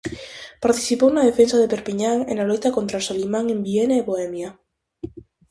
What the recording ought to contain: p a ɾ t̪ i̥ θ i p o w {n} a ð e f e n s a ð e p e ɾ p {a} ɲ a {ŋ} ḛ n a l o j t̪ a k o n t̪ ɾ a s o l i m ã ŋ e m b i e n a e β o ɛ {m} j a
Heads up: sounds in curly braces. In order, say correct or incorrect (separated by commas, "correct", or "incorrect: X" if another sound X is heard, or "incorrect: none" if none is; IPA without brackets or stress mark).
correct, incorrect: i, correct, correct